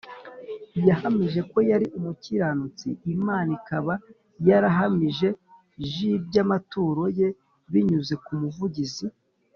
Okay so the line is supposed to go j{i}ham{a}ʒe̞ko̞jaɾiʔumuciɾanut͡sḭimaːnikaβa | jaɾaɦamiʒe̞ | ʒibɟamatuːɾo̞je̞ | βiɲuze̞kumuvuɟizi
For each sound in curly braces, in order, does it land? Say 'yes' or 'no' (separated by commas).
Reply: no, no